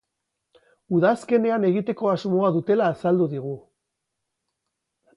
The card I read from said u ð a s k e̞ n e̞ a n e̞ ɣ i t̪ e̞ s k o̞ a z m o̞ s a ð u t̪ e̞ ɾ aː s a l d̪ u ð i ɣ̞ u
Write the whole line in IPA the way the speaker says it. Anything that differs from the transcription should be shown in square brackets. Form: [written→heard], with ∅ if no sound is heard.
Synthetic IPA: u ð a s k e̞ n e̞ a n e̞ ɣ i t̪ e̞ [s→∅] k o̞ a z m o̞ [s→∅] a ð u t̪ e̞ [ɾ→l] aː s a l d̪ u ð i ɣ̞ u